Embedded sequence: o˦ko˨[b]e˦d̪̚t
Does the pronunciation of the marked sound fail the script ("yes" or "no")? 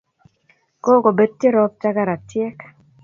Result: no